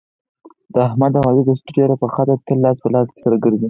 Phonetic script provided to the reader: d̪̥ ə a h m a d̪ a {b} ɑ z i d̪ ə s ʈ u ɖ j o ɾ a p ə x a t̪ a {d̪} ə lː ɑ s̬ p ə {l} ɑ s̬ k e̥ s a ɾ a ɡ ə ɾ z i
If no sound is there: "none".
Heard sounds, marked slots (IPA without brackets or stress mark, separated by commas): w, t̪, l